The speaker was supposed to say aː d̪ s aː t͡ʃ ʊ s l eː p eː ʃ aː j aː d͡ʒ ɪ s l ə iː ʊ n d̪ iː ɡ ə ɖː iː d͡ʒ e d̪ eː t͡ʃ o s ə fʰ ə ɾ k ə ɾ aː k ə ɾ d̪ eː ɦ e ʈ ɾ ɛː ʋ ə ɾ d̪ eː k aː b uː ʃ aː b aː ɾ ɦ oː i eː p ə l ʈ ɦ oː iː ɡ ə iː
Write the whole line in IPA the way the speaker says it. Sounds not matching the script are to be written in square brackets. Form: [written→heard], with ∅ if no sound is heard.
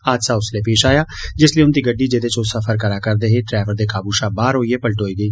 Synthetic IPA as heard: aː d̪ s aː [t͡ʃ→∅] ʊ s l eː p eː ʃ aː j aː d͡ʒ ɪ s l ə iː ʊ n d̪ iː ɡ ə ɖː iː d͡ʒ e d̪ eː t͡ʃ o s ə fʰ ə ɾ k ə ɾ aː k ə ɾ d̪ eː ɦ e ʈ ɾ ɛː ʋ ə ɾ d̪ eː k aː b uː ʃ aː b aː ɾ ɦ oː i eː p ə l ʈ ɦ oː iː ɡ ə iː